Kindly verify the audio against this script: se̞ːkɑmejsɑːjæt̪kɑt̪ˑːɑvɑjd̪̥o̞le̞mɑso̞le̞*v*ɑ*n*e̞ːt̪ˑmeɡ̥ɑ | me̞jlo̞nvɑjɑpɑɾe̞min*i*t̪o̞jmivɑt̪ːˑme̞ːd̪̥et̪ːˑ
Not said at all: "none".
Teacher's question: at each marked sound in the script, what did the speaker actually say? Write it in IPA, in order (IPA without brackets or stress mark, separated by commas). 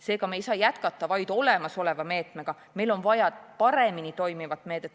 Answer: v, m, i